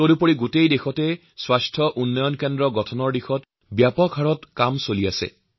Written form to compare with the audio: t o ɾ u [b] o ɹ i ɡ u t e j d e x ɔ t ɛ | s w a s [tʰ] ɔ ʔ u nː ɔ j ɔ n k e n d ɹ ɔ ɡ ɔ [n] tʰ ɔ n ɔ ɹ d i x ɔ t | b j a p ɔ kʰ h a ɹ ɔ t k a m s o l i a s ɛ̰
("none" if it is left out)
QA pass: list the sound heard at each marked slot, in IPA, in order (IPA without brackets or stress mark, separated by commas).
p, tʰ, none